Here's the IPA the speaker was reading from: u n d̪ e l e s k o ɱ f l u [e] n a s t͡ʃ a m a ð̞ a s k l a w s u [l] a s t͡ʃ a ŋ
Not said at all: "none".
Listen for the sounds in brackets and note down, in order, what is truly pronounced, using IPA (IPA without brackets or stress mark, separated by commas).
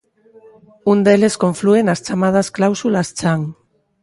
e, l